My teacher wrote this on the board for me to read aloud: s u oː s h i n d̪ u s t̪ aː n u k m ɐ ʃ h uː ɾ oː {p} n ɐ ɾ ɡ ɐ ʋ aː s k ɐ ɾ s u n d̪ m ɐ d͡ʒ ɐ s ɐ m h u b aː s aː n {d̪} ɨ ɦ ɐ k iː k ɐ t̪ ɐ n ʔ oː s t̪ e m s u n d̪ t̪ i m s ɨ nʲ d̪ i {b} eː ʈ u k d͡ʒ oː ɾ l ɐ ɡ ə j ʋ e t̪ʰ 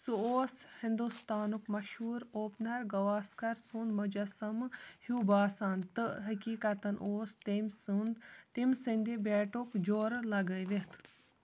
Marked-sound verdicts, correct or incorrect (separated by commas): correct, incorrect, correct